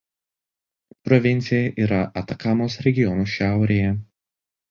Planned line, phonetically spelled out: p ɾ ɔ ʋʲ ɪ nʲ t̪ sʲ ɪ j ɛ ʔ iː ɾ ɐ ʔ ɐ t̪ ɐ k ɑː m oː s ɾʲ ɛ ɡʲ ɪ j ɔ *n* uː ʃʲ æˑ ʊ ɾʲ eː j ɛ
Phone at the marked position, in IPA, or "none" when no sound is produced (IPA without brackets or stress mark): n